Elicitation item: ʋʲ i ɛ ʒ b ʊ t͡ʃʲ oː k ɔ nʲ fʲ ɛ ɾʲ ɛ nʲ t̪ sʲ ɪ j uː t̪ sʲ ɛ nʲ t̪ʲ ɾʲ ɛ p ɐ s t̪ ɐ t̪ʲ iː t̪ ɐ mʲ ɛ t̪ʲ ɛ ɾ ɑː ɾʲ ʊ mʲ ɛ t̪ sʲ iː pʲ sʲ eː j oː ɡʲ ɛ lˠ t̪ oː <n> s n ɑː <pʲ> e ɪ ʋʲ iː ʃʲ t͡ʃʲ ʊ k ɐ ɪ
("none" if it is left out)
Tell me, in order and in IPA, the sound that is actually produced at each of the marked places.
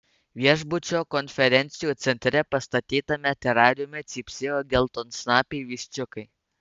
n, pʲ

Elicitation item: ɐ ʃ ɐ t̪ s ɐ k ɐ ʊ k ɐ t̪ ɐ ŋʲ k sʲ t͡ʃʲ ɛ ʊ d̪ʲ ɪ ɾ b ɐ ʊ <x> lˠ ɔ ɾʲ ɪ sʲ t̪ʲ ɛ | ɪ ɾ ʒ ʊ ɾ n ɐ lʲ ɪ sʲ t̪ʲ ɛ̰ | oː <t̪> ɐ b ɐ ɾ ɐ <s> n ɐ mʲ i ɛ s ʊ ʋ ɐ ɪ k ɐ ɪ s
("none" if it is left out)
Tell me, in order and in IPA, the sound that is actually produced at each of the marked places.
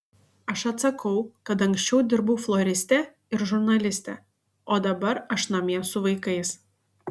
f, d̪, ʃ

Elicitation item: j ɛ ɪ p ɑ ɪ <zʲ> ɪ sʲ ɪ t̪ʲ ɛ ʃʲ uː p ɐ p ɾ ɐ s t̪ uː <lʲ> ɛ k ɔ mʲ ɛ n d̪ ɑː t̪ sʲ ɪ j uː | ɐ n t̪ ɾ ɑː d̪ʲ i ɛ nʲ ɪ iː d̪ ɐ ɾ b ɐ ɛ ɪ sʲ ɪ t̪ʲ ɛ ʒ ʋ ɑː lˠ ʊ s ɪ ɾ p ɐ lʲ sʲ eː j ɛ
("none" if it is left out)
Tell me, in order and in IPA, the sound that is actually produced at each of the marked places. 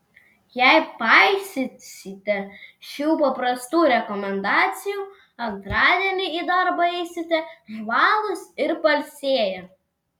sʲ, ɾʲ

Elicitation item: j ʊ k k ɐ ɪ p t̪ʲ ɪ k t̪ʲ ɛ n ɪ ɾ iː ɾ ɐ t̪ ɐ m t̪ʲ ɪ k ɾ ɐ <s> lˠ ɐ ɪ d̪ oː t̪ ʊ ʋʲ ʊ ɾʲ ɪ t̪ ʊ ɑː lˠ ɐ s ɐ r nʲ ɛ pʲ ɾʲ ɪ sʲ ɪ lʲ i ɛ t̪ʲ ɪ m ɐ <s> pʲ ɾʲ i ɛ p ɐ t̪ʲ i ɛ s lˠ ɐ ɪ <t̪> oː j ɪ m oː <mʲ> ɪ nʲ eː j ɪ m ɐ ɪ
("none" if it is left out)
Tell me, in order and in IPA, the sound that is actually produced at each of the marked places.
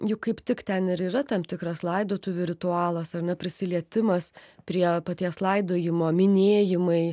s, s, d̪, mʲ

